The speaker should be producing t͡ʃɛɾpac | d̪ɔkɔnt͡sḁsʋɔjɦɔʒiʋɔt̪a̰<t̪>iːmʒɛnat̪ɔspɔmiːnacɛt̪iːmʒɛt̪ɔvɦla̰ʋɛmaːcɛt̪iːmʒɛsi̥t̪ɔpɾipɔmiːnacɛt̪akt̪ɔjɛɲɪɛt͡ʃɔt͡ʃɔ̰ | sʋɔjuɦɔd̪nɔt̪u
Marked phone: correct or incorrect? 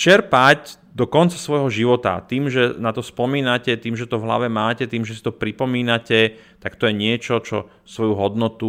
correct